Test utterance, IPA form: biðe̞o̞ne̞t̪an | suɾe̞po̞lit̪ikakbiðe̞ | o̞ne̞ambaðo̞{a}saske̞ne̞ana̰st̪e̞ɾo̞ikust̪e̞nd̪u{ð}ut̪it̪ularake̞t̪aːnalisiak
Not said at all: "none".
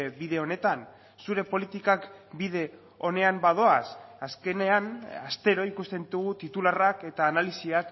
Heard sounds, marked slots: a, ɣ

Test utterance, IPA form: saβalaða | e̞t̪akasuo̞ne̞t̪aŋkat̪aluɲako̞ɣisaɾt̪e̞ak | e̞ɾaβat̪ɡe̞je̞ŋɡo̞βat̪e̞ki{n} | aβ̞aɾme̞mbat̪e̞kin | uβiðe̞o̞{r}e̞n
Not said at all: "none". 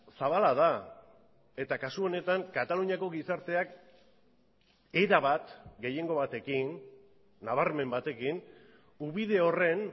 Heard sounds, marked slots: nː, r

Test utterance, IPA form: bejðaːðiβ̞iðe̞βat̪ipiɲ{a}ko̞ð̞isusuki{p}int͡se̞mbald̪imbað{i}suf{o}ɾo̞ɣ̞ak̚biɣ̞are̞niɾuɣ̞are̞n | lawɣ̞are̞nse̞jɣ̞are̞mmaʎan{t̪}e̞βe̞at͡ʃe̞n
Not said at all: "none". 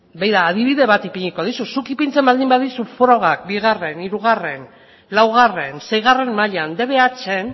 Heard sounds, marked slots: i, p, i, o, d̪

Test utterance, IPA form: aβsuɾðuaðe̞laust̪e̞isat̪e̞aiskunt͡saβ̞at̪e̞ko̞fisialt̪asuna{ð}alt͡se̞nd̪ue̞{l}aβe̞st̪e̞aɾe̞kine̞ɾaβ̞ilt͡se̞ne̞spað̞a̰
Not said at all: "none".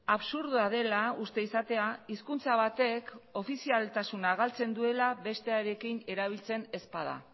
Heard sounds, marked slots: ɣ, l

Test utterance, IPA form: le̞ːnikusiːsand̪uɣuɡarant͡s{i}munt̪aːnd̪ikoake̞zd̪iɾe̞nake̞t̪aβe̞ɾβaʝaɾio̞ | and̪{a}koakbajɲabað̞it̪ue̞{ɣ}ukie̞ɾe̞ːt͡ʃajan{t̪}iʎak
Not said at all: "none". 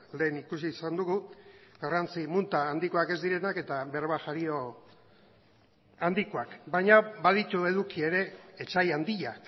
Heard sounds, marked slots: i, i, ð, d̪

